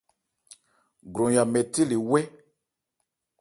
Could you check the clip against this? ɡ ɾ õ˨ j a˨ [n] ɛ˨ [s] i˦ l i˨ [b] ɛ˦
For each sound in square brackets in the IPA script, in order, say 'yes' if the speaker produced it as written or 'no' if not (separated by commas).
no, no, no